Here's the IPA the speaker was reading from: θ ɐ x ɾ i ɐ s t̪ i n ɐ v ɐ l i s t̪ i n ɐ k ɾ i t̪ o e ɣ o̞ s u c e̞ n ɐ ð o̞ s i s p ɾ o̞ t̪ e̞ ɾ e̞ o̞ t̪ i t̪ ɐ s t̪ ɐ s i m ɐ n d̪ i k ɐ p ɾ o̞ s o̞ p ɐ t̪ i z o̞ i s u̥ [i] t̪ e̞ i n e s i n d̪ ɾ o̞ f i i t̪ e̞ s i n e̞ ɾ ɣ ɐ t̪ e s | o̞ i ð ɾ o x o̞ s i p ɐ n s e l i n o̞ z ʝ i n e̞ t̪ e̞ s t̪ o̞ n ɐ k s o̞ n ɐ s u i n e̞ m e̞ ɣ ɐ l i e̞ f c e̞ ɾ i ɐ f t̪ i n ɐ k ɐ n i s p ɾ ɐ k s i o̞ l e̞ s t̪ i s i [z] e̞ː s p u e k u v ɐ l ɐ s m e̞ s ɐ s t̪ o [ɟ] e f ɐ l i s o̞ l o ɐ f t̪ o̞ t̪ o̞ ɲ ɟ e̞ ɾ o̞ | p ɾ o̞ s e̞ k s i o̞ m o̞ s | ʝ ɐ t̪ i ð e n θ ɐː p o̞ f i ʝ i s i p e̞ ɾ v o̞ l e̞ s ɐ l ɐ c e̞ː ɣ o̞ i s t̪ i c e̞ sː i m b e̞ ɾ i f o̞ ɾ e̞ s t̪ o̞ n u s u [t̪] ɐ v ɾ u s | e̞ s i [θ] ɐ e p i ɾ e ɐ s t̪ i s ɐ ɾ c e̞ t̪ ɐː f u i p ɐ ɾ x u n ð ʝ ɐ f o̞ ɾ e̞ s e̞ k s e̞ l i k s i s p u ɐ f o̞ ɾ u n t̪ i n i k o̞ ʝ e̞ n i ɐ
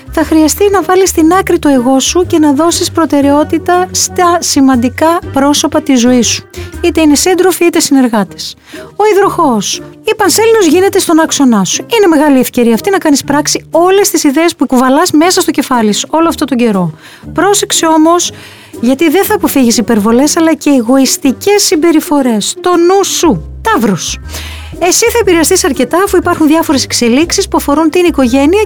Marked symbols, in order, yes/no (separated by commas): yes, no, no, yes, yes